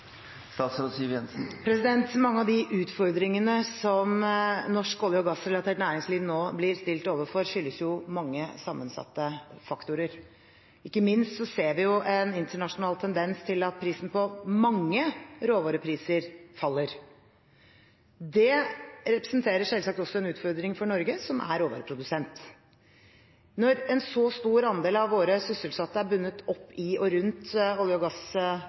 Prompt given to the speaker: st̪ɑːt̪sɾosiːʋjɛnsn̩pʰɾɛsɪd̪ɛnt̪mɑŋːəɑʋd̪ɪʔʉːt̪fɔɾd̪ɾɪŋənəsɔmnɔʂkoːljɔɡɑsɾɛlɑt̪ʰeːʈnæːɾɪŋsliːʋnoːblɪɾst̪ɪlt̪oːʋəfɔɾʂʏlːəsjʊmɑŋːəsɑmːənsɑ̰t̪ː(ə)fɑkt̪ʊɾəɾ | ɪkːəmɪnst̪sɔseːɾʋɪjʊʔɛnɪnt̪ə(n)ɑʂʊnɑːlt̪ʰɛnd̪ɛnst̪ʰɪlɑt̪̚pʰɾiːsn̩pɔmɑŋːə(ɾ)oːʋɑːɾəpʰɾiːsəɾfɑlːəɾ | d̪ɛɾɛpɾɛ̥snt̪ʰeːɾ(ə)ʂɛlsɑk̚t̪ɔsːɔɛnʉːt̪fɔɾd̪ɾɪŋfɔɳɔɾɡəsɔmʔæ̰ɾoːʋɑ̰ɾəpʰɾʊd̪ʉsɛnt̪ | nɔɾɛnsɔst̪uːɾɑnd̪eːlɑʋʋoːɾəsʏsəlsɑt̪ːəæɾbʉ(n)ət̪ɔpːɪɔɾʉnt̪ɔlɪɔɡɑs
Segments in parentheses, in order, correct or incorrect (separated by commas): correct, incorrect, correct, correct, incorrect